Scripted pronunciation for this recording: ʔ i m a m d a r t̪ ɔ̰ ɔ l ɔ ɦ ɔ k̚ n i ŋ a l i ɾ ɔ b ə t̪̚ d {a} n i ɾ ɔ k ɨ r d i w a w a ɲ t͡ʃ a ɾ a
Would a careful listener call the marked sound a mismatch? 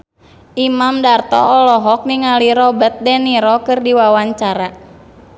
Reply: yes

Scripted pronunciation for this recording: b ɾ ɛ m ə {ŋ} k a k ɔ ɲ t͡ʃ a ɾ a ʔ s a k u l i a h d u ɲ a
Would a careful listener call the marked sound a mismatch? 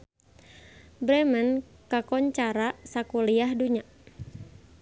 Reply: yes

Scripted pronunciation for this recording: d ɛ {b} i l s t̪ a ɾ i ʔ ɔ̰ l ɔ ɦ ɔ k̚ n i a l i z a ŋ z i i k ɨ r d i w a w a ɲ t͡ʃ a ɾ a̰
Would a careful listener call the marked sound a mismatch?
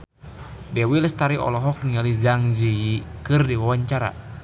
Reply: yes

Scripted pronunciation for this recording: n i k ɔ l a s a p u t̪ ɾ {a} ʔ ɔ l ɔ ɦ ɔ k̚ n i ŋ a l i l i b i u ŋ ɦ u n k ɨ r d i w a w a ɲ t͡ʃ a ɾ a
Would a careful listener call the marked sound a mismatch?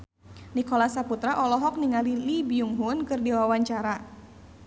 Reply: no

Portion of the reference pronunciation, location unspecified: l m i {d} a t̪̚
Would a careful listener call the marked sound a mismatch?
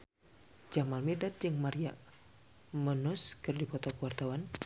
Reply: no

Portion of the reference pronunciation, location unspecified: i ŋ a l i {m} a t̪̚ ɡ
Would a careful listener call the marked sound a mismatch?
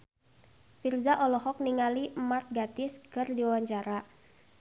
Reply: no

